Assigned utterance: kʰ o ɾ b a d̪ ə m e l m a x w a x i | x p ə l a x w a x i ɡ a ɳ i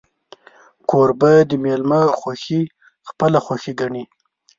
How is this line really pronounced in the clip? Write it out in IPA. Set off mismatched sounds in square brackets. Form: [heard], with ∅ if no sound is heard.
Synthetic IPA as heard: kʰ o ɾ b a d̪ ə m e l m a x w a x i | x p ə l a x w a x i ɡ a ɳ i